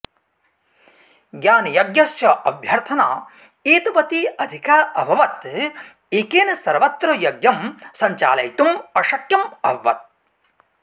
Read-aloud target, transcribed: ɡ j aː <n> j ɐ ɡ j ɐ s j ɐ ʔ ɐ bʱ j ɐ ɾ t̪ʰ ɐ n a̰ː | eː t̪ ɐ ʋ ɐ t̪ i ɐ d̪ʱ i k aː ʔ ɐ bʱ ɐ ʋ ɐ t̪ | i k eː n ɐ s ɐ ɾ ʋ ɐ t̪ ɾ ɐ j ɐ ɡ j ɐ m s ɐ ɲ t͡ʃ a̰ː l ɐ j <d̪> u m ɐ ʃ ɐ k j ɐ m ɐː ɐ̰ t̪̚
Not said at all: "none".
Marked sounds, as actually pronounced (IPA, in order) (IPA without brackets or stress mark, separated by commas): n, t̪